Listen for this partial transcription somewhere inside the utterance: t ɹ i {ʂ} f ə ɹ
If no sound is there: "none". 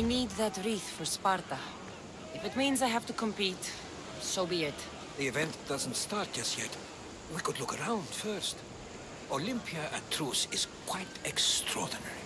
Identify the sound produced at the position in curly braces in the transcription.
θ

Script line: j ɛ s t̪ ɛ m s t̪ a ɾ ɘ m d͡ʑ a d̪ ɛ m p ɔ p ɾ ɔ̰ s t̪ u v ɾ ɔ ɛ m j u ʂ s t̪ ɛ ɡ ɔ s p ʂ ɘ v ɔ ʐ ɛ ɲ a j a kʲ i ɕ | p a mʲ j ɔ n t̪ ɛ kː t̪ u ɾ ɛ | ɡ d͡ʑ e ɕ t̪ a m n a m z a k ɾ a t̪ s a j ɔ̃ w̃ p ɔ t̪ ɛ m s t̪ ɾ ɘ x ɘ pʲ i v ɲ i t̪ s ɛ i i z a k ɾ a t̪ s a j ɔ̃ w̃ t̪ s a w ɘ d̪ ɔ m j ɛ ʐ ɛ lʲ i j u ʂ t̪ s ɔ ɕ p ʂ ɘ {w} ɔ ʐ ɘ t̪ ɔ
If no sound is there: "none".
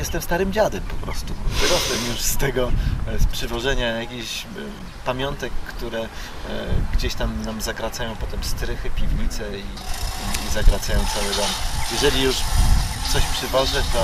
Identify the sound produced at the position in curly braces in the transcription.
v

